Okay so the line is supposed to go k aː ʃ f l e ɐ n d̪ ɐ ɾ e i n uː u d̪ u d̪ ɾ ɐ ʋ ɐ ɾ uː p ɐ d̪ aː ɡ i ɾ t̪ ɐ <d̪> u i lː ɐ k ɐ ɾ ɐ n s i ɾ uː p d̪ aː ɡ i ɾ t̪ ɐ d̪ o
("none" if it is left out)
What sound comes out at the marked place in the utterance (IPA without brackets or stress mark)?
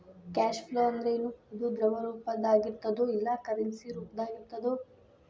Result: d̪